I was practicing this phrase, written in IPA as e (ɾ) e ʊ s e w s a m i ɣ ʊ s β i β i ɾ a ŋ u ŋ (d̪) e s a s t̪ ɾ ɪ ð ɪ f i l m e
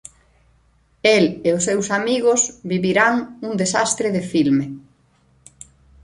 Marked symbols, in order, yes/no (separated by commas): no, yes